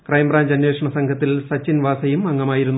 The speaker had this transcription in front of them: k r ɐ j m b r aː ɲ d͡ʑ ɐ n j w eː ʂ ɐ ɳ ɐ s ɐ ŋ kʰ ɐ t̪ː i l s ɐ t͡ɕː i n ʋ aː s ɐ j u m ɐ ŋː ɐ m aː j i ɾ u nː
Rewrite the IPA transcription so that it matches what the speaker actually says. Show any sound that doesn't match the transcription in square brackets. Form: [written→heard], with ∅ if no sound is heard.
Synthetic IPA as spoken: k r ɐ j m b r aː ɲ d͡ʑ ɐ n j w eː ʂ ɐ ɳ ɐ s ɐ ŋ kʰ ɐ t̪ː i l s ɐ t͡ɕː i n ʋ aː s ɐ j u m ɐ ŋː ɐ m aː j i ɾ u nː